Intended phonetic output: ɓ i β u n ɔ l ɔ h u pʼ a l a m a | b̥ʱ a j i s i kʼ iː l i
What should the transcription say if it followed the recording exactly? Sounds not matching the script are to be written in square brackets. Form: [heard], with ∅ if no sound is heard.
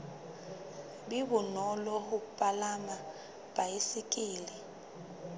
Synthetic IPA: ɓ i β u n ɔ l ɔ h u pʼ a l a m a | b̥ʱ a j i s i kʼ iː l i